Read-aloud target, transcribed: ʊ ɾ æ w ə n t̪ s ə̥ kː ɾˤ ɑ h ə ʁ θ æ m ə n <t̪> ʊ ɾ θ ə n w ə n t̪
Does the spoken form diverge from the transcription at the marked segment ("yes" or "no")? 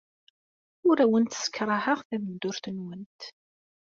yes